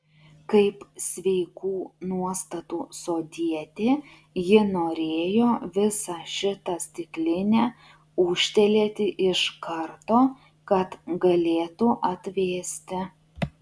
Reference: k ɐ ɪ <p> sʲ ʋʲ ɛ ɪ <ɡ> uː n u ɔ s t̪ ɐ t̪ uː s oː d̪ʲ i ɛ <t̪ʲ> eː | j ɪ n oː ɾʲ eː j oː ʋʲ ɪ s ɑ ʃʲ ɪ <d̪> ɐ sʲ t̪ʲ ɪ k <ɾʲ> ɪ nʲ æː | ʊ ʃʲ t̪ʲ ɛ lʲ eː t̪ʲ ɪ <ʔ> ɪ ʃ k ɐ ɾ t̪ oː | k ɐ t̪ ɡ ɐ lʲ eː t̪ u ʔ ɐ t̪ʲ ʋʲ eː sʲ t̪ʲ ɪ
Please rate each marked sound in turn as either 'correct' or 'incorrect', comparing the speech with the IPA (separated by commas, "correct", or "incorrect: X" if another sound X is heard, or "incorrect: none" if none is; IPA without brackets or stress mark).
correct, incorrect: k, correct, incorrect: t̪, incorrect: lʲ, correct